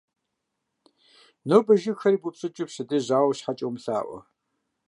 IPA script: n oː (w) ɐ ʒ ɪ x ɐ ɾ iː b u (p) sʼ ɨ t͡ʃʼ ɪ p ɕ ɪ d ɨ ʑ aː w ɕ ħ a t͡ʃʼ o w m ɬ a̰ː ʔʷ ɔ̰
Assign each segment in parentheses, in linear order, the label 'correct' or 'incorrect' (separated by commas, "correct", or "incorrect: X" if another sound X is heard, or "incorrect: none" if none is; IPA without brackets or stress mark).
incorrect: b, correct